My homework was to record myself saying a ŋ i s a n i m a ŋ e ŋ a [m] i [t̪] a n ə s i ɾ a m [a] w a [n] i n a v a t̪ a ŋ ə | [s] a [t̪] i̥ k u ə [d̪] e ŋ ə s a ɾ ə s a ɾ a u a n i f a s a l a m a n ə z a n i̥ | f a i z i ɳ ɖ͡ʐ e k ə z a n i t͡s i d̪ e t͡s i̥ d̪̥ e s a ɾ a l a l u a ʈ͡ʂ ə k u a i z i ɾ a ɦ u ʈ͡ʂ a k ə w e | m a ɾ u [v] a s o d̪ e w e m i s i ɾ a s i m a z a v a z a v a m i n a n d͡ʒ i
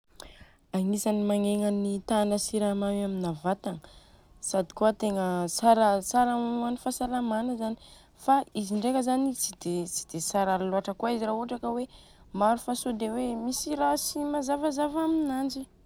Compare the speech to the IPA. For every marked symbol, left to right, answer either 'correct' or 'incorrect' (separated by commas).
incorrect, correct, correct, incorrect, correct, incorrect, incorrect, incorrect